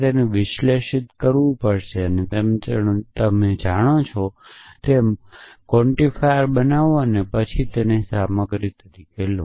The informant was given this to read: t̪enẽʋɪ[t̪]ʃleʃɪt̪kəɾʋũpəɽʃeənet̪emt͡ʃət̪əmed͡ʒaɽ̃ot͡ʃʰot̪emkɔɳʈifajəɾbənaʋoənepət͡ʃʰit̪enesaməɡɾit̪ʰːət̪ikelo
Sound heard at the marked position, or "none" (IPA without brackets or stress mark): none